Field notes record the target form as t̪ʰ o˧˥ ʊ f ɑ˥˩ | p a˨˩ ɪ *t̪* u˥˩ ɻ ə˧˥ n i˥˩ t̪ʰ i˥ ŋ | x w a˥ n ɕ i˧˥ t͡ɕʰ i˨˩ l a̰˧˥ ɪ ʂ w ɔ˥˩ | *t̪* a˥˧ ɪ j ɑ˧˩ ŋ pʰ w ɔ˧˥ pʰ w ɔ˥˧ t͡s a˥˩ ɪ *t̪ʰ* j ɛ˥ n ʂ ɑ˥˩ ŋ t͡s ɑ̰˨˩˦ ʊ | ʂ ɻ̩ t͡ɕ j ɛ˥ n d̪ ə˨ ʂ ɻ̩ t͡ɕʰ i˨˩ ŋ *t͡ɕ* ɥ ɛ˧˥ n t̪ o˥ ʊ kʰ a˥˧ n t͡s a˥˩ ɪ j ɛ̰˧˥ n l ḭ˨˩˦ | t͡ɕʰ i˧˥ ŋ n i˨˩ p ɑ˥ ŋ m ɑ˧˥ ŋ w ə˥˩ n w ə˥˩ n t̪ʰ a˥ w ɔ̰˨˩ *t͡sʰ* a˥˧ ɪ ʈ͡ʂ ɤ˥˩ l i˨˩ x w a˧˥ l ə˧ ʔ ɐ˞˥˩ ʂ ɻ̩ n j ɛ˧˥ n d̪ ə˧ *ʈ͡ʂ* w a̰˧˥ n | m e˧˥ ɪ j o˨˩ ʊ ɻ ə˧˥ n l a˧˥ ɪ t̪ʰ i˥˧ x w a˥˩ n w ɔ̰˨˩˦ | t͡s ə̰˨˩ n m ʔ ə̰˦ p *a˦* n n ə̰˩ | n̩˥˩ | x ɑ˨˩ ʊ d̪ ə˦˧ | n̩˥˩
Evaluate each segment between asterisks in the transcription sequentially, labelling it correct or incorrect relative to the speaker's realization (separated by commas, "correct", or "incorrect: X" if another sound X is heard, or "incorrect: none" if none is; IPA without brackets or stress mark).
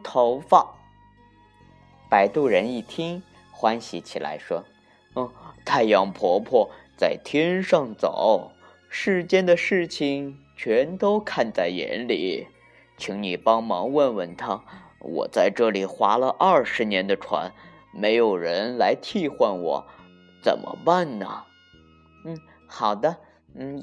correct, incorrect: t̪ʰ, correct, incorrect: t͡ɕʰ, incorrect: t͡s, incorrect: ʈ͡ʂʰ, incorrect: a˥˩